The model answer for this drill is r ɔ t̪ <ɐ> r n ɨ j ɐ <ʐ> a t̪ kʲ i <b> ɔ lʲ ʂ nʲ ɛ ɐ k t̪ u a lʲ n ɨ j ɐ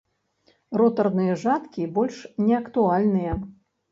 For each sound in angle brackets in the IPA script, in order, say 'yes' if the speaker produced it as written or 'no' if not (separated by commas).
yes, yes, yes